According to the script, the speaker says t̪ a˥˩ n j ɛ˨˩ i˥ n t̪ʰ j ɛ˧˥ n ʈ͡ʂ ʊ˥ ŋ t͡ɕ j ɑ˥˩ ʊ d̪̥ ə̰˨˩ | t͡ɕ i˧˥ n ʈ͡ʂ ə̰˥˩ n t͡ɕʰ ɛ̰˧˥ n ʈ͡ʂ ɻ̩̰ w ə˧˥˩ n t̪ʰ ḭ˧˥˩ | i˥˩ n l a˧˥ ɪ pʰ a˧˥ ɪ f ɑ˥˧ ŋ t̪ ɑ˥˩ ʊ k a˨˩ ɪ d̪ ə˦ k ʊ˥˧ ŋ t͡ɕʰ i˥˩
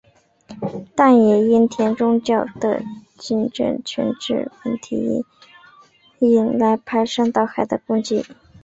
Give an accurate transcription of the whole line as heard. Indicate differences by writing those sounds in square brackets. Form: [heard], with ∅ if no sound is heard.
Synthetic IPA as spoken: t̪ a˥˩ n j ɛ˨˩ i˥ n t̪ʰ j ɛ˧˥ n ʈ͡ʂ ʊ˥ ŋ t͡ɕ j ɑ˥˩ ʊ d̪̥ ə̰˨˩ | t͡ɕ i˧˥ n ʈ͡ʂ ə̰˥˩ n t͡ɕʰ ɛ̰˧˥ n ʈ͡ʂ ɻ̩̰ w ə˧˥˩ n t̪ʰ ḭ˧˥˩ | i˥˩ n l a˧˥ ɪ pʰ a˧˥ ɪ [ʂ] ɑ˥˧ ŋ t̪ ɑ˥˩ ʊ [x] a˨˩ ɪ d̪ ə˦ k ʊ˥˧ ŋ [t͡ɕ] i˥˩